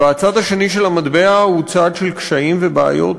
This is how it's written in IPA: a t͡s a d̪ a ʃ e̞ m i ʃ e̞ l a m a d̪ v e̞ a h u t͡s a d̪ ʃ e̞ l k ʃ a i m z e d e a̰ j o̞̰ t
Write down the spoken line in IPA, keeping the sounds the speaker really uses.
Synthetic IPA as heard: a t͡s a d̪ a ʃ e̞ n i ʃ e̞ l a m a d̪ b e̞ a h u t͡s a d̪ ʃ e̞ l k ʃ a i m v e b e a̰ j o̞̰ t